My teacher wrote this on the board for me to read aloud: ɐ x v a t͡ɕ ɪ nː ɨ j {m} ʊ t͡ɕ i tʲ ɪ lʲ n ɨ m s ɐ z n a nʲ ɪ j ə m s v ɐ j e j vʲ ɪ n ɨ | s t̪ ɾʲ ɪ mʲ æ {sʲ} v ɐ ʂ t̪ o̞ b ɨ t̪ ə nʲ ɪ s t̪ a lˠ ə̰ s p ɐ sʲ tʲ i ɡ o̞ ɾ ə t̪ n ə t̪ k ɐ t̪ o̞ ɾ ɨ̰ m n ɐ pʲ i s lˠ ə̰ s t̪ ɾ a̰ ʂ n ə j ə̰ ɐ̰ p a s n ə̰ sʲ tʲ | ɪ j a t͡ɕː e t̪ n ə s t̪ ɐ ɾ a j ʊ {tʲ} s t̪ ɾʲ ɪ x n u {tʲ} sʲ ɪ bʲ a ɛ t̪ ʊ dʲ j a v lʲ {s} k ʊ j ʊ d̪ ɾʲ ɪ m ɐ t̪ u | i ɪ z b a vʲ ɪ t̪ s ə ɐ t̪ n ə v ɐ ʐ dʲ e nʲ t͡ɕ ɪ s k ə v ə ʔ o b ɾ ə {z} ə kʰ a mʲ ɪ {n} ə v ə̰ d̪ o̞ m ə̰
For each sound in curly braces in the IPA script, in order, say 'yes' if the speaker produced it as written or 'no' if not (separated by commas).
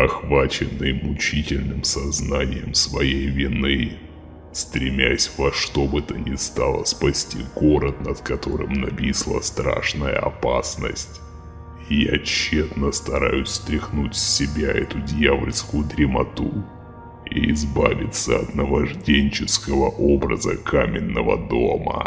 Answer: yes, yes, no, yes, yes, yes, no